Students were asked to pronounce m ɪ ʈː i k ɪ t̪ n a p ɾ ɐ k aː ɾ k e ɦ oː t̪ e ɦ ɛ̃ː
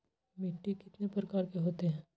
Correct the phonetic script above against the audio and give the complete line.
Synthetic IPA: m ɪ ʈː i k ɪ t̪ n e p ɾ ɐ k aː ɾ k e ɦ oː t̪ e ɦ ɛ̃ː